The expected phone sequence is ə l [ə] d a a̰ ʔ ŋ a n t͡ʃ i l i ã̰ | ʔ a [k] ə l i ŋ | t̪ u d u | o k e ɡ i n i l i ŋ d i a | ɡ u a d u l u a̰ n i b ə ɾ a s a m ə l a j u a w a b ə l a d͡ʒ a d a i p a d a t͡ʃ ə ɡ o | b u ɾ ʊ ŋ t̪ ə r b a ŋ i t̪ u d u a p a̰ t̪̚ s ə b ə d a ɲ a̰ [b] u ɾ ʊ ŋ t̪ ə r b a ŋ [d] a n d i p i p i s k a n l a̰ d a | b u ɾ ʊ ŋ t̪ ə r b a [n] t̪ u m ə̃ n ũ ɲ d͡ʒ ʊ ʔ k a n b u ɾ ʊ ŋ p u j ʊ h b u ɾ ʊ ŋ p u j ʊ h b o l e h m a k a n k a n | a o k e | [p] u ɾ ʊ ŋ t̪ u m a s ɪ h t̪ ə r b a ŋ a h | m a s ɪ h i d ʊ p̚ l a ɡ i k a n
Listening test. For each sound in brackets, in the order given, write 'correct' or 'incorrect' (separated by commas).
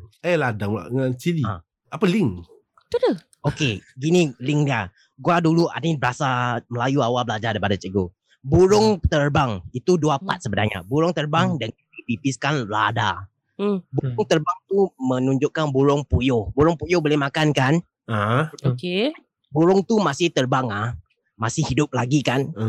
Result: incorrect, incorrect, correct, correct, incorrect, incorrect